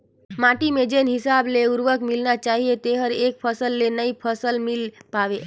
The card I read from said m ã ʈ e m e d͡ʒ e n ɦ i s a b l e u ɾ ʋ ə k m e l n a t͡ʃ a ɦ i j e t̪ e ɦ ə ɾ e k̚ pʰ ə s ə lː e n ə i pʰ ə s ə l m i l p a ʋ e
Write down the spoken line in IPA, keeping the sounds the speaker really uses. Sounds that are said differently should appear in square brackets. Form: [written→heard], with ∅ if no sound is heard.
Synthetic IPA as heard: m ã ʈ [e→i] m e d͡ʒ e n ɦ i s a b l e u ɾ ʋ ə k m [e→i] l n a t͡ʃ a ɦ i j e t̪ e ɦ ə ɾ e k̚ pʰ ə s ə lː e n ə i pʰ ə s ə l m i l p a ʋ e